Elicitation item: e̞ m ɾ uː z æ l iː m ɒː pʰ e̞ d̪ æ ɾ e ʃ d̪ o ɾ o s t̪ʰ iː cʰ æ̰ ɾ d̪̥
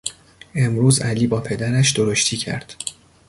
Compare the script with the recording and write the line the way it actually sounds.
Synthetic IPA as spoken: e̞ m ɾ uː z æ l iː b ɒː pʰ e̞ d̪ æ ɾ æ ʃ d̪ o ɾ o ʃ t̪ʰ iː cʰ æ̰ ɾ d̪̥